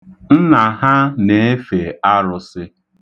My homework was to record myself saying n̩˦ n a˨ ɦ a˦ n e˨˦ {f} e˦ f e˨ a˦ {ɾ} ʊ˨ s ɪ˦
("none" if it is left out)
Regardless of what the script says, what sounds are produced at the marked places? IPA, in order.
none, ɾ

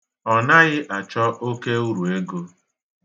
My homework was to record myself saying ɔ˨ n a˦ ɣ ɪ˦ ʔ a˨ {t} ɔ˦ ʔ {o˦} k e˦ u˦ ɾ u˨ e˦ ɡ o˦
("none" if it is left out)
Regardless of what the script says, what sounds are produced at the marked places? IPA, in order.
t͡ʃ, o˦

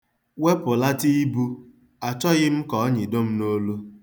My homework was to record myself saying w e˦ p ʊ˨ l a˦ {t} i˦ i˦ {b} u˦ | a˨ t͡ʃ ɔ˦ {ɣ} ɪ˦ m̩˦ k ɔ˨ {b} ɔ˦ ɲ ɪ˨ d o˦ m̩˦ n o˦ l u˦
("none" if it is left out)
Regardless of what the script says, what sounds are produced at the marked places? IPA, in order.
t, b, ɣ, none

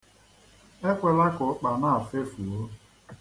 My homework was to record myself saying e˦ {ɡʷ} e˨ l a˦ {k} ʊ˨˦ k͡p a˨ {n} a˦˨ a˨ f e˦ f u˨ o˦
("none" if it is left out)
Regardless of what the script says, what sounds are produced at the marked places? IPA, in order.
kʷ, k, n

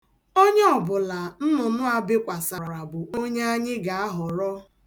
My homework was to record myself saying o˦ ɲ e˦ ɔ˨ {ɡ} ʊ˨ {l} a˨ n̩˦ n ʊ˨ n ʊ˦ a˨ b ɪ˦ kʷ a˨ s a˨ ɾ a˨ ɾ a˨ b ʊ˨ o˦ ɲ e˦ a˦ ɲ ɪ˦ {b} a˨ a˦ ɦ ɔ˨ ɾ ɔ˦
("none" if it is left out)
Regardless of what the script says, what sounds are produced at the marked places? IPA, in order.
b, l, ɡ

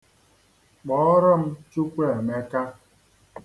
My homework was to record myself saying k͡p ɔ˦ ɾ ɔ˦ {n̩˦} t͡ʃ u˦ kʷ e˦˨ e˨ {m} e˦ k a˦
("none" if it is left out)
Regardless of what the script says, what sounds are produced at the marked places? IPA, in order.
m̩˦, m

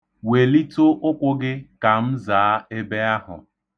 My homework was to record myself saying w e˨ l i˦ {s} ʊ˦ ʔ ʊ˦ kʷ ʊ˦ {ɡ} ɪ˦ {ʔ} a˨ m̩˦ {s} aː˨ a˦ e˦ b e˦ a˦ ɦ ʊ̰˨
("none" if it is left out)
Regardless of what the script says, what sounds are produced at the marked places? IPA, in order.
t, ɡ, k, z

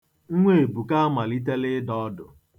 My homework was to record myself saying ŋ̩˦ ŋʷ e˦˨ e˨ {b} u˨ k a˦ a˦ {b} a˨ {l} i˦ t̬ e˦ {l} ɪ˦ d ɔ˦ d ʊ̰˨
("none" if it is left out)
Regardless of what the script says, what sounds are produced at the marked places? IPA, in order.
b, m, l, l

